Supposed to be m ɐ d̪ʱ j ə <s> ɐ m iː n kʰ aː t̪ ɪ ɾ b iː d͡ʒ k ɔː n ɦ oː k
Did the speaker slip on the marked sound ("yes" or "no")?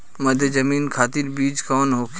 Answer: yes